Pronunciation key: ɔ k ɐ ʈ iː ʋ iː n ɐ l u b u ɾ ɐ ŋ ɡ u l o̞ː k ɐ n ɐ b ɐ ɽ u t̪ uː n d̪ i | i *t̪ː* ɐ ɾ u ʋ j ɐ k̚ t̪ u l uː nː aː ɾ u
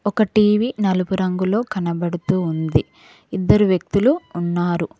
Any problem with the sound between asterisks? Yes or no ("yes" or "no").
yes